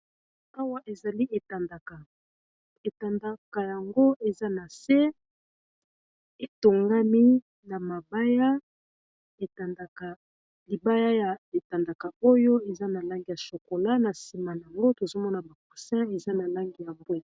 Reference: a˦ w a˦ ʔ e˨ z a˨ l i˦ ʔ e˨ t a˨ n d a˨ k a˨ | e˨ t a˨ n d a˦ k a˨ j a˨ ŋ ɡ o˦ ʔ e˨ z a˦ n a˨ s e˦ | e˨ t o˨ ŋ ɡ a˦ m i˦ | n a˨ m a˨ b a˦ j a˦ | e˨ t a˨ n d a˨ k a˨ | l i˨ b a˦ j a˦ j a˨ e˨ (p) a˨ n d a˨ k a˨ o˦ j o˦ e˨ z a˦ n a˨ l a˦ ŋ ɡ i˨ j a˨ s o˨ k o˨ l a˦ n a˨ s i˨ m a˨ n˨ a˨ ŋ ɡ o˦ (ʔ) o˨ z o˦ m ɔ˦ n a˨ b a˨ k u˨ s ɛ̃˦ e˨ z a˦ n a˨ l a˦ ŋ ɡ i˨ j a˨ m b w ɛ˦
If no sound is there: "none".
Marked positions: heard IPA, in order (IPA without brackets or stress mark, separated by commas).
t, t